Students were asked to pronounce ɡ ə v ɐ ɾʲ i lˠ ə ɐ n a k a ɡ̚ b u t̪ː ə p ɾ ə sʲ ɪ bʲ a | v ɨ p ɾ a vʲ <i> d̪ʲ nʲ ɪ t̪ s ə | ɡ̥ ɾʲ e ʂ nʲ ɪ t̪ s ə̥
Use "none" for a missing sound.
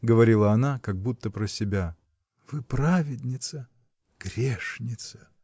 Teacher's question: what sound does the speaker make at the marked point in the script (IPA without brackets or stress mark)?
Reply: ɪ